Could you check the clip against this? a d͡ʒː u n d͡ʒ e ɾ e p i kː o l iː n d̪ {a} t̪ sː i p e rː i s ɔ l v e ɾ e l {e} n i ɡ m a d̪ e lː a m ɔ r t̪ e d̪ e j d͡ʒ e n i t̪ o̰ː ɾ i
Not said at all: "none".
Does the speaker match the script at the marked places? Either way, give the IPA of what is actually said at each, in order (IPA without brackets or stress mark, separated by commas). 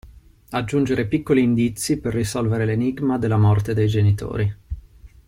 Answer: i, e